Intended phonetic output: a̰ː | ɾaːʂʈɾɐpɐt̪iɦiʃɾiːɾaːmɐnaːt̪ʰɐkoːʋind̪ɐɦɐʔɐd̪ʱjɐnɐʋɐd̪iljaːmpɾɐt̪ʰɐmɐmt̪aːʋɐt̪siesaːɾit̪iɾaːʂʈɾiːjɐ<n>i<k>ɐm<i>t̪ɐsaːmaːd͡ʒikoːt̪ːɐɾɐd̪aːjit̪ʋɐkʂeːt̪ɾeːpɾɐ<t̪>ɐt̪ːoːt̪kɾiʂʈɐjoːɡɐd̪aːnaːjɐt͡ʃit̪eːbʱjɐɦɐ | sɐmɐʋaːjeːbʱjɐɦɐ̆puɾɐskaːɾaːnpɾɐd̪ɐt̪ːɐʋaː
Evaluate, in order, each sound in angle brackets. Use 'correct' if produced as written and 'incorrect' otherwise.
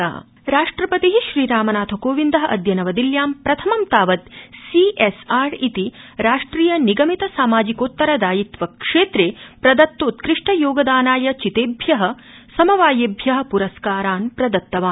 correct, incorrect: ɡ, correct, incorrect: d̪

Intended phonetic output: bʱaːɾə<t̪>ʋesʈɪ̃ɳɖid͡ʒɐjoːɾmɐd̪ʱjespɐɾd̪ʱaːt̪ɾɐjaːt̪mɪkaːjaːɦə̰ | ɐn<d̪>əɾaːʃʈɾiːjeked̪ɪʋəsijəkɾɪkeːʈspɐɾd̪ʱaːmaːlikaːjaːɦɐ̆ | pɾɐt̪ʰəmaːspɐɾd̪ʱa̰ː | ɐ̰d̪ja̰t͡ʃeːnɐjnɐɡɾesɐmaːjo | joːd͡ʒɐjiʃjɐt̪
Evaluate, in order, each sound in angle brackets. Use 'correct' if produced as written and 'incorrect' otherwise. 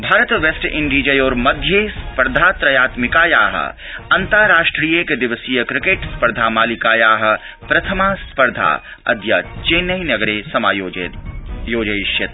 correct, incorrect: t̪

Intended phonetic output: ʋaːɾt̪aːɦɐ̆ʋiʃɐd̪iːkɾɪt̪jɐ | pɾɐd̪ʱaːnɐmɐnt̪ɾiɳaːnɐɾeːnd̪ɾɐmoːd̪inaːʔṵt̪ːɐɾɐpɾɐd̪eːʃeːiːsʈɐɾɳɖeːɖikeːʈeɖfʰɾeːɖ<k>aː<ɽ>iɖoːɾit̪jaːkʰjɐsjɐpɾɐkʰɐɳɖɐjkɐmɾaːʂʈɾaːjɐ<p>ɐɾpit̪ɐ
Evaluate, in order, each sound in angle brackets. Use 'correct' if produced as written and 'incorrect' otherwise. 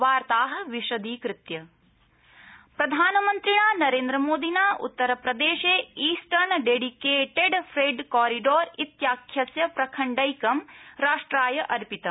correct, incorrect: ɾ, incorrect: ʔ

